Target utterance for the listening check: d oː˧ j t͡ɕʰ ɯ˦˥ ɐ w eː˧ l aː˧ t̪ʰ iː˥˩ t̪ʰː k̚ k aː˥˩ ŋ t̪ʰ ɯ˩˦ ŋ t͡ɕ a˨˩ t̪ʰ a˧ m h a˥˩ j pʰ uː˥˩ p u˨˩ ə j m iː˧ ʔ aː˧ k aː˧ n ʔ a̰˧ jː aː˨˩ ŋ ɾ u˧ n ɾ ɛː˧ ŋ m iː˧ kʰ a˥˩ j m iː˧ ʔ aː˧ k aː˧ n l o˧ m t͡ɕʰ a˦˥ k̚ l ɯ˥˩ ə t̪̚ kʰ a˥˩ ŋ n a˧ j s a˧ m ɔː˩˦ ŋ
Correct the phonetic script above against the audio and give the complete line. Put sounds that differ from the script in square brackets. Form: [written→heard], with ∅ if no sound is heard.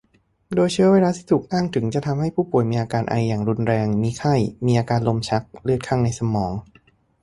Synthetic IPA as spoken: d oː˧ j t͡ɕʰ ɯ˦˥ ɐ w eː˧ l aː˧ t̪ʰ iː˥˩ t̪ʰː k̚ [k→ʔ] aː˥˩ ŋ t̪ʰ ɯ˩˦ ŋ t͡ɕ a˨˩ t̪ʰ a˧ m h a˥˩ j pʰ uː˥˩ p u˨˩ ə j m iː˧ ʔ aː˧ k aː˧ n ʔ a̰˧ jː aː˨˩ ŋ ɾ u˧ n ɾ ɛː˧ ŋ m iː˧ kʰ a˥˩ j m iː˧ ʔ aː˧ k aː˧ n l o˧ m t͡ɕʰ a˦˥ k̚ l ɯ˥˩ ə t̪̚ kʰ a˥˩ ŋ n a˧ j s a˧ m ɔː˩˦ ŋ